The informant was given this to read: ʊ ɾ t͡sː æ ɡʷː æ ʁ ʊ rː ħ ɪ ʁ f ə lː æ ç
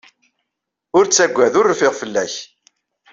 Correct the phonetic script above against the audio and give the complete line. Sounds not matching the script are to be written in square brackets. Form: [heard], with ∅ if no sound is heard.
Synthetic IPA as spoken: ʊ ɾ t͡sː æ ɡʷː æ [ð] ʊ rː [f] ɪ ʁ f ə lː æ ç